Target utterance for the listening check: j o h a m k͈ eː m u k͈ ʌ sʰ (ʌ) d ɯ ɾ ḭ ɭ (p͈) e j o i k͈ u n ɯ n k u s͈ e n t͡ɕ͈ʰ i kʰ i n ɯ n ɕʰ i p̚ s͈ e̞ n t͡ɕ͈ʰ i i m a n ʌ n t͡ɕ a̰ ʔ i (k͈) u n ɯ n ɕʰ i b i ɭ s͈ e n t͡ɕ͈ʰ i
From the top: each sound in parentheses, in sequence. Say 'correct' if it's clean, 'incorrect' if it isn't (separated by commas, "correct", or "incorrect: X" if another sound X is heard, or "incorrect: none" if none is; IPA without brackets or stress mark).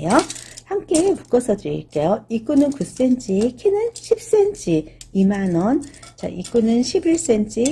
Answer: correct, incorrect: k͈, correct